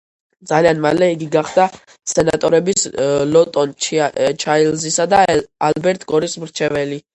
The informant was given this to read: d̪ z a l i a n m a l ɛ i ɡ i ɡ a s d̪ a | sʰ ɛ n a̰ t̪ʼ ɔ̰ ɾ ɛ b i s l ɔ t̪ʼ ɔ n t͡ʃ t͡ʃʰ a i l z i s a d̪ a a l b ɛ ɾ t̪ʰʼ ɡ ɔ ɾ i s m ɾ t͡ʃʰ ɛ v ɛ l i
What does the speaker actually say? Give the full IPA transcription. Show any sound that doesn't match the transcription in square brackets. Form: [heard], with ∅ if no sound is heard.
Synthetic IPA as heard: d̪ z a l i a n m a l ɛ i ɡ i ɡ a [χ] d̪ a | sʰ ɛ n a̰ t̪ʼ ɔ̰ ɾ ɛ b i s l ɔ t̪ʼ ɔ n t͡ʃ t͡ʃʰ a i l z i s a d̪ a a l b ɛ ɾ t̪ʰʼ ɡ ɔ ɾ i s m ɾ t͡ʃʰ ɛ v ɛ l i